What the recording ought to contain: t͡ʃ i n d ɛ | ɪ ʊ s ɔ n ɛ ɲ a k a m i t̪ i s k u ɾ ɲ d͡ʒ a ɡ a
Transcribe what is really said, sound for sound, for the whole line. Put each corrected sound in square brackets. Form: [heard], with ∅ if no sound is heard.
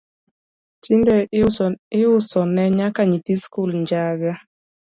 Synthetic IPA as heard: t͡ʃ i n d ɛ | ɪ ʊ s ɔ n ɛ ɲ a k a [ɲ] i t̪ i s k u [l] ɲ d͡ʒ a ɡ a